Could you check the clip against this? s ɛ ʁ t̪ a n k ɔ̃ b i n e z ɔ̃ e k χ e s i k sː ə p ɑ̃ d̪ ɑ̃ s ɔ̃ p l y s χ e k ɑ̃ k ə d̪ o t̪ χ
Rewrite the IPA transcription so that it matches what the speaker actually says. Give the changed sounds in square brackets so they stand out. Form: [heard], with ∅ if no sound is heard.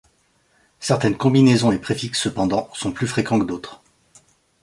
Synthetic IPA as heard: s ɛ ʁ t̪ [ɛ] n k ɔ̃ b i n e z ɔ̃ e [p] χ e [f] i k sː ə p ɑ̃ d̪ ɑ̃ s ɔ̃ p l y [f] χ e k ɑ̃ k ə d̪ o t̪ χ